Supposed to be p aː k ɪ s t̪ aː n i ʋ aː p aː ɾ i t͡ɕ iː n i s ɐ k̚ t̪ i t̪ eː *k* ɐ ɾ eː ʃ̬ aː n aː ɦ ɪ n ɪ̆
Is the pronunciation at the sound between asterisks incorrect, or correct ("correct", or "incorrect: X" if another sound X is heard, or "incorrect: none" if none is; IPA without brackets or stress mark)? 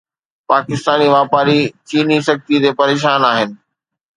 incorrect: p